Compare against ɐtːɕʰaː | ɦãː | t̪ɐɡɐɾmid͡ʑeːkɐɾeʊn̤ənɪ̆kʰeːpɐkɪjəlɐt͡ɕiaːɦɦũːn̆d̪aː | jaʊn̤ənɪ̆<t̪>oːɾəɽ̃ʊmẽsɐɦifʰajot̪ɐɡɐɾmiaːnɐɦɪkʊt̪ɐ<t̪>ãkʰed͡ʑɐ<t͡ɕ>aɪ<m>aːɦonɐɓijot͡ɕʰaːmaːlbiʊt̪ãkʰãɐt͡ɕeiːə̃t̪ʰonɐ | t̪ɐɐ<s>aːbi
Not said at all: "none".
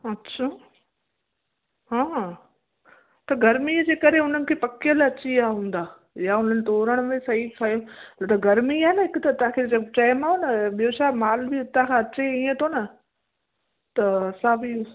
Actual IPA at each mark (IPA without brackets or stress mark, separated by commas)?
t̪, t̪, t͡ɕ, m, s